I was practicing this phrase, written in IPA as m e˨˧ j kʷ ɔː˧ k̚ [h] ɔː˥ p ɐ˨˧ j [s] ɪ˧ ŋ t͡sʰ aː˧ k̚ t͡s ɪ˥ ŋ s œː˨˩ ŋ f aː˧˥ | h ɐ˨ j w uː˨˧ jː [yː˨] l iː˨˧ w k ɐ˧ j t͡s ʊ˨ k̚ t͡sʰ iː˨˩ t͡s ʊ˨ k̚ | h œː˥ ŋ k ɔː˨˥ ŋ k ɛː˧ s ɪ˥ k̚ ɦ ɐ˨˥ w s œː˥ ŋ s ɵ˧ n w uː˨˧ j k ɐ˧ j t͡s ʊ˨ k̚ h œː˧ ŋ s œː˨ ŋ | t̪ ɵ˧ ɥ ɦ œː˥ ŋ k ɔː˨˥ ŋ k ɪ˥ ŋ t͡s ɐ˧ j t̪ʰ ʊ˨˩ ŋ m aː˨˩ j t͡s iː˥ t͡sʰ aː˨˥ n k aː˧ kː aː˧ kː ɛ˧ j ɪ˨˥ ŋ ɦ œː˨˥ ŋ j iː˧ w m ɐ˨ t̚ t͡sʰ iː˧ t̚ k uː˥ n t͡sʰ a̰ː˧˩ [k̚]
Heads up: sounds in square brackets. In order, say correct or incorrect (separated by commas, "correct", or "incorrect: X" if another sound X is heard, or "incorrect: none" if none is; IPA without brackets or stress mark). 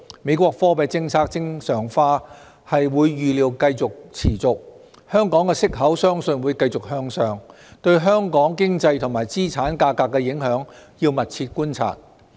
incorrect: f, incorrect: t͡s, correct, incorrect: t̚